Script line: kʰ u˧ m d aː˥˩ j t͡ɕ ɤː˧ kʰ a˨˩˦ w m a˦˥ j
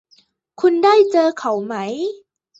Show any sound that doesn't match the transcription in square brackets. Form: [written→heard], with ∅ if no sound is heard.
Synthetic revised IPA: kʰ u˧ [m→n] d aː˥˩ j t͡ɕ ɤː˧ kʰ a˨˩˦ w m a˦˥ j